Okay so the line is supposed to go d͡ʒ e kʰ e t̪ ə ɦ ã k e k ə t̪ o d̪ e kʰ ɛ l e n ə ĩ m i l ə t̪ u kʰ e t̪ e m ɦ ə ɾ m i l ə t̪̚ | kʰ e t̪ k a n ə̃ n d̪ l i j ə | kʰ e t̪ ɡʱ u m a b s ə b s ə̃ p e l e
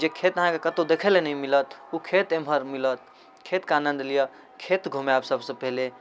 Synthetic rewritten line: d͡ʒ e kʰ e t̪ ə ɦ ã k e k ə t̪ o d̪ e kʰ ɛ l e n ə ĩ m i l ə t̪ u kʰ e t̪ e m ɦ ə ɾ m i l ə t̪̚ | kʰ e t̪ k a n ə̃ n d̪ l i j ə | kʰ e t̪ ɡʱ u m a b s ə b s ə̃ p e l e